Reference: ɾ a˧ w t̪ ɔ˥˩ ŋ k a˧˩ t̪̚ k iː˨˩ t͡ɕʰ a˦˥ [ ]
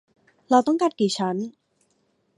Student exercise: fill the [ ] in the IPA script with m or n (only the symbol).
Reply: n